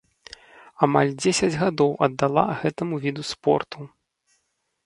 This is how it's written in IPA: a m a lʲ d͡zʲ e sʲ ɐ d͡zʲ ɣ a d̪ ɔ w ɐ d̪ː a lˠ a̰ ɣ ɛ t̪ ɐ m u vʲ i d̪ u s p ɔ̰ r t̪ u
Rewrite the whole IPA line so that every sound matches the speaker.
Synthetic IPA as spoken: a m a lʲ d͡zʲ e sʲ ɐ d͡zʲ ɣ a d̪ ɔ w ɐ d̪ː a lˠ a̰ ɣ ɛ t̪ ɐ m u vʲ i d̪ u s p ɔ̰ r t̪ u